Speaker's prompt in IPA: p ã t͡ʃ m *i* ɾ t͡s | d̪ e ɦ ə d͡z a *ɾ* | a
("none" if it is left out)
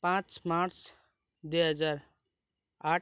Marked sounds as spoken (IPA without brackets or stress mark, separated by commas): a, ɾ